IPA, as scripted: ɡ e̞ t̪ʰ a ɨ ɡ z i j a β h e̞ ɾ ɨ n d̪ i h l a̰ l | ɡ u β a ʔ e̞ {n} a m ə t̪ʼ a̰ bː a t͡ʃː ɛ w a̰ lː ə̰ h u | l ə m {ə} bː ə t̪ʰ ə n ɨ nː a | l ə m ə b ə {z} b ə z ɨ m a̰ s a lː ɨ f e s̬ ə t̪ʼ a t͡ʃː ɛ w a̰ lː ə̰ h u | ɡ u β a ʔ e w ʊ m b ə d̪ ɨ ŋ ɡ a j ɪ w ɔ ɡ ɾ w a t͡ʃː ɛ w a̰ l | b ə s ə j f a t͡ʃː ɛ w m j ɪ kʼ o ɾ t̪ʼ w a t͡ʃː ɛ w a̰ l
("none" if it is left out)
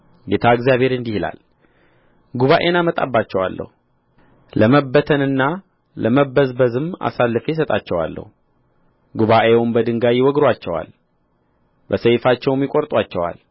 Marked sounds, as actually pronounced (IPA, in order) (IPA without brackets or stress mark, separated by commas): n, ə, z